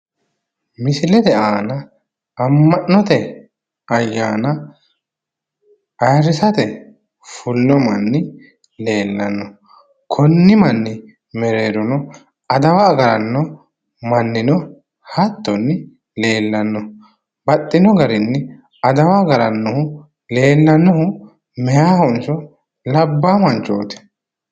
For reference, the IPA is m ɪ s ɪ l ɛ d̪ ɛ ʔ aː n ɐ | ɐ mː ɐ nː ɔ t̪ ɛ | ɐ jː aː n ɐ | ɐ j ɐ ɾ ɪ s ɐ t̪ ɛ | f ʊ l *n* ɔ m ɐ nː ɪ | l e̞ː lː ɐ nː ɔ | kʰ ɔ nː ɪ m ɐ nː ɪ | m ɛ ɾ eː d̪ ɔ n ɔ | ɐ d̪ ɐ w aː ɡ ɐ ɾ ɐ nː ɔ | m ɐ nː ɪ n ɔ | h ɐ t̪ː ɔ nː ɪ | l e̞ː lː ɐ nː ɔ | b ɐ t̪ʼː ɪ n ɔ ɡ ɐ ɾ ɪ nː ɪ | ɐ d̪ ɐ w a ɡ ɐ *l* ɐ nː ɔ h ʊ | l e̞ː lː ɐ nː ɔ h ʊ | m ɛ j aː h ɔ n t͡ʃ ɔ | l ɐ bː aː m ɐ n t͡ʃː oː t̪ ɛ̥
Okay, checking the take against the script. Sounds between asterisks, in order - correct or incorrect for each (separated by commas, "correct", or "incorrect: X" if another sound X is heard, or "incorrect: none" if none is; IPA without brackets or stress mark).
correct, incorrect: ɾ